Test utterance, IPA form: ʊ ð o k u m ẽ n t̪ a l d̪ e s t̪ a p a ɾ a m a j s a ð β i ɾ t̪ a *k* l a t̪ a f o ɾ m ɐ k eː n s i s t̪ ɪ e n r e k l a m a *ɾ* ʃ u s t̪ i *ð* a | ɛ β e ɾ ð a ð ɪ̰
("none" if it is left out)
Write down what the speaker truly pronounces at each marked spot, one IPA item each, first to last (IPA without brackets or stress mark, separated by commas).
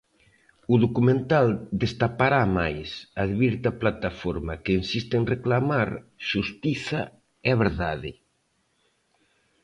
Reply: p, ɾ, θ